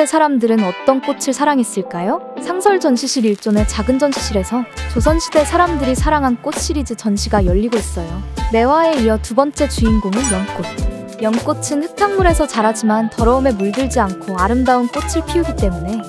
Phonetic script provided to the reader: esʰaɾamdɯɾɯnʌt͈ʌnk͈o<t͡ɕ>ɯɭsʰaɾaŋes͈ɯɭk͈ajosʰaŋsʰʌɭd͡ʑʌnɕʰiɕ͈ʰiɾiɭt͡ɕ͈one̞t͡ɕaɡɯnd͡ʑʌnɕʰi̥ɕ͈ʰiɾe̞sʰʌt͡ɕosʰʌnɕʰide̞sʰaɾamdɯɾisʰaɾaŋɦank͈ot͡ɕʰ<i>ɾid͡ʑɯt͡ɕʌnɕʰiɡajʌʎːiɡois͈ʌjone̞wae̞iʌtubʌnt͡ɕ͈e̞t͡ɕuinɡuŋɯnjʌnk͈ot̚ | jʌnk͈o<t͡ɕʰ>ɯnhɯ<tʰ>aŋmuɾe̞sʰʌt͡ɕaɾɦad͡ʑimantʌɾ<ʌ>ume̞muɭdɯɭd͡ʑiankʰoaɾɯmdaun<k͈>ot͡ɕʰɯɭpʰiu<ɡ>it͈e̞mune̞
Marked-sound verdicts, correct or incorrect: incorrect, correct, correct, correct, correct, correct, correct

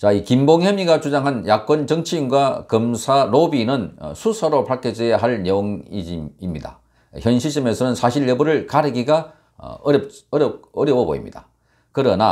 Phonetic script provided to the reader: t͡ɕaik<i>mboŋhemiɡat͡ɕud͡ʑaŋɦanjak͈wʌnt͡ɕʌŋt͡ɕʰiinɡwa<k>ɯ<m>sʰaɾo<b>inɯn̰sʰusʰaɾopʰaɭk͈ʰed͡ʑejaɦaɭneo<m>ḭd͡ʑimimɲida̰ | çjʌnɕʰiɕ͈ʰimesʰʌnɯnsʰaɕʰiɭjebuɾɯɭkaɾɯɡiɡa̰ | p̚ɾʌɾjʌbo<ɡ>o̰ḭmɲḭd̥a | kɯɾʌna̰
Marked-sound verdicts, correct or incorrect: correct, correct, correct, correct, incorrect, incorrect

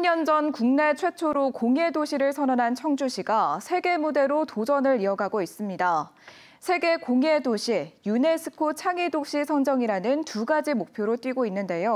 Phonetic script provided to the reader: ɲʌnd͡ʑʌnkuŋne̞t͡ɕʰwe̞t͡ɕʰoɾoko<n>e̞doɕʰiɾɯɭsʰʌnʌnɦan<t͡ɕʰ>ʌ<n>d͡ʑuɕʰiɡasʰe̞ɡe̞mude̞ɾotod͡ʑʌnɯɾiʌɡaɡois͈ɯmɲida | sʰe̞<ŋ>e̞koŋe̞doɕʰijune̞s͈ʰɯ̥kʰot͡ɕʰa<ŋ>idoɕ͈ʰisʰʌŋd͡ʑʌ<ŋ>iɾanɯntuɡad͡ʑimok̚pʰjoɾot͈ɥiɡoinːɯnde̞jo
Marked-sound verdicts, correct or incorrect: incorrect, correct, incorrect, incorrect, correct, correct

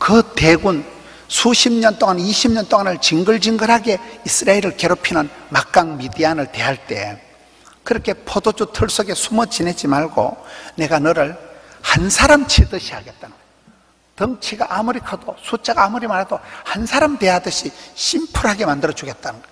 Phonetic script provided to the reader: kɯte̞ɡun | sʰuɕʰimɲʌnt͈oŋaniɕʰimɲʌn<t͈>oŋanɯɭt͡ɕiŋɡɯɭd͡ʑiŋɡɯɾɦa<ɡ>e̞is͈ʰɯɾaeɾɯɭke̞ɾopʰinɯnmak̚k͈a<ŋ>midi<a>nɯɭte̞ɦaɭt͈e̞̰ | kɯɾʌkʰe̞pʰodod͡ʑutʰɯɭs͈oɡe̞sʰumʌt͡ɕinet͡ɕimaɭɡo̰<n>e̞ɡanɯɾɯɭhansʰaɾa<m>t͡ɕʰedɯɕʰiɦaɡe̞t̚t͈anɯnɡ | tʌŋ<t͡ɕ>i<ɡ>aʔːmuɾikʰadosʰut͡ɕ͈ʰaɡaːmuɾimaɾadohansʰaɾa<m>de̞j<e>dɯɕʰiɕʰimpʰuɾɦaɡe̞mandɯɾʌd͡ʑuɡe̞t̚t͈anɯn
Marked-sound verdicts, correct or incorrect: correct, correct, correct, correct, correct, correct, incorrect, correct, correct, incorrect

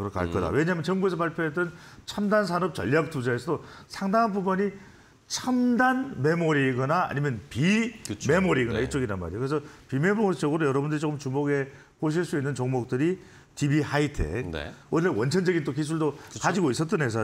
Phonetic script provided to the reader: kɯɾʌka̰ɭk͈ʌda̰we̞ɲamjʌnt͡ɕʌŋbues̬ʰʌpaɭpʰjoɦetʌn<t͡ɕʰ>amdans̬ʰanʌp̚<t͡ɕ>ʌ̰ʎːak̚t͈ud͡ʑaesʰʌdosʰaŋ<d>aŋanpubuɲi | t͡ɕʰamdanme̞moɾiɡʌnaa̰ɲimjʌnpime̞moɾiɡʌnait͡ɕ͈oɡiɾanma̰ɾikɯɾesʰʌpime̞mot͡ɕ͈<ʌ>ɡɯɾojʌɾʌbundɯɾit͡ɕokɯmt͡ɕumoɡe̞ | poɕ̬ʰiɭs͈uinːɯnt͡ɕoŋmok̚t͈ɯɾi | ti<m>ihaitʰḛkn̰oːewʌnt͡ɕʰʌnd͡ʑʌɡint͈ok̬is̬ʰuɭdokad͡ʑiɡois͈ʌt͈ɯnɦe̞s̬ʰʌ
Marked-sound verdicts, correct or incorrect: correct, correct, correct, correct, incorrect

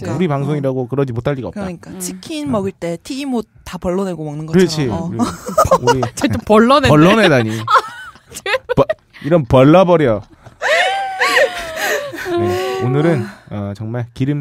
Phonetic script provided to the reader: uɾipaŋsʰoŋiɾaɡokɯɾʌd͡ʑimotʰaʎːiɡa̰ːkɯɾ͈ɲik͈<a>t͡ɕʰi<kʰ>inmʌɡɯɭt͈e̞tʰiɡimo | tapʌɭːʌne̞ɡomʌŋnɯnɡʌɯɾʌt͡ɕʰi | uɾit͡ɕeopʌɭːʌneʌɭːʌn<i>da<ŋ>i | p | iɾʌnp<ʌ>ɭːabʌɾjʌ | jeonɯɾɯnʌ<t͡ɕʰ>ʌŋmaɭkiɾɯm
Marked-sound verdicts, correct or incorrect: correct, correct, incorrect, incorrect, correct, incorrect

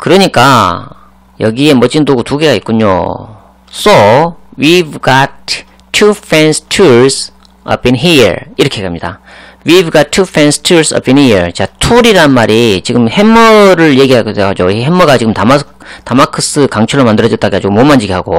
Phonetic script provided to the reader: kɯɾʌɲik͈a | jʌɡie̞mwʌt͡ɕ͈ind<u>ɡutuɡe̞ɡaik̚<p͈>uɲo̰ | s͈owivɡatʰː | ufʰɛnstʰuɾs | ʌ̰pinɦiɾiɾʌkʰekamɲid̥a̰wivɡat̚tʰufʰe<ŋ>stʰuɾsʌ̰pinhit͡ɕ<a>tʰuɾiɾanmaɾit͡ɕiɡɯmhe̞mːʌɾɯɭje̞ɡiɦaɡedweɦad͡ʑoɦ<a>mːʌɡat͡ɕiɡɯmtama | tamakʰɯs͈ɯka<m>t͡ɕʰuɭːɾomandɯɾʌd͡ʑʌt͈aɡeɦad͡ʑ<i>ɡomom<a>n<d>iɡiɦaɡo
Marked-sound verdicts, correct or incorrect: incorrect, incorrect, incorrect, correct, incorrect, incorrect, correct, correct, incorrect

